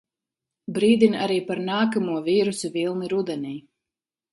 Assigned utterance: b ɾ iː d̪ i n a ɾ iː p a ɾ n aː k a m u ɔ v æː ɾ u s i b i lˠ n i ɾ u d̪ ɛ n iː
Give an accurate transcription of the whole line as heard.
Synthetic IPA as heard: b ɾ iː d̪ i n a ɾ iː p a ɾ n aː k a m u ɔ v iː ɾ u s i v i lˠ n i ɾ u d̪ ɛ n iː